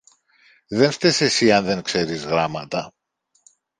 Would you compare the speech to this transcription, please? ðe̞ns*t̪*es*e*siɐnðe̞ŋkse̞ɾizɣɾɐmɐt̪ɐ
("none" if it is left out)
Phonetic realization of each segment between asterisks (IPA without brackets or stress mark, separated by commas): t̪, e